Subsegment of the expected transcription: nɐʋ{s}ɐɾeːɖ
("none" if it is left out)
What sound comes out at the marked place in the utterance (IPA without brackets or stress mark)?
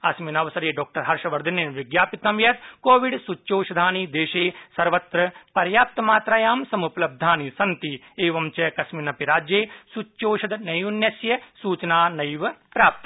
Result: s